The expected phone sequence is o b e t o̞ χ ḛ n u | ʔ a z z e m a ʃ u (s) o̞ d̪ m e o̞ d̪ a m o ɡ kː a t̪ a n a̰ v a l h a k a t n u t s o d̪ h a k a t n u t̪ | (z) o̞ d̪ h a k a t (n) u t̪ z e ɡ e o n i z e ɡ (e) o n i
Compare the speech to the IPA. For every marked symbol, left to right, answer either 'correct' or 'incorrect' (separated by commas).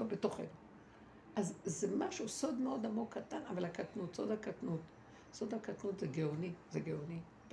correct, incorrect, correct, correct